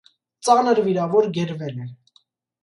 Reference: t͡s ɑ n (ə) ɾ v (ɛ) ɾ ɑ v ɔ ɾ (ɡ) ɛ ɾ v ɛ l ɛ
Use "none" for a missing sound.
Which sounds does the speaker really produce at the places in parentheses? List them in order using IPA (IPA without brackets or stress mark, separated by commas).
ə, i, ɡ